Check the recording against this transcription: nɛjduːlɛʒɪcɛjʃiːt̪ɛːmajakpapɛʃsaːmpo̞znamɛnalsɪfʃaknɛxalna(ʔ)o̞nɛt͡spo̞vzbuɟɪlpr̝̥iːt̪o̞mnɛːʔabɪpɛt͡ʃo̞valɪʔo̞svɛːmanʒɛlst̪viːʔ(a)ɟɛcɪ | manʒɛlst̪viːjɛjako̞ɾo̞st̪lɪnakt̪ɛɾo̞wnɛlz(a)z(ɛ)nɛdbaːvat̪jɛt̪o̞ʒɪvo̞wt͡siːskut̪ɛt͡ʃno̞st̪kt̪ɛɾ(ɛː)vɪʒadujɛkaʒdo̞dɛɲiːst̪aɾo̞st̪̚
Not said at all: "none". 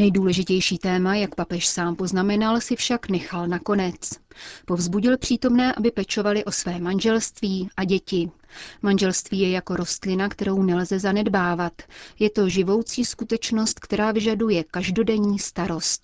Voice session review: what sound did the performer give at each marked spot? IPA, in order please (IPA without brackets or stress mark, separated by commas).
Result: k, a, ɛ, a, aː